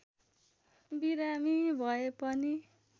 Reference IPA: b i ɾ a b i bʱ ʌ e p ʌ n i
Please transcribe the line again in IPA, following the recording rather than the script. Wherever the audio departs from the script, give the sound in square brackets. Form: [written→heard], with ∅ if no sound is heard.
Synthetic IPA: b i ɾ a [b→m] i bʱ ʌ e p ʌ n i